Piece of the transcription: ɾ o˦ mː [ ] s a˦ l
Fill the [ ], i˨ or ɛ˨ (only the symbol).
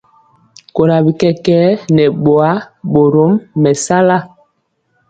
ɛ˨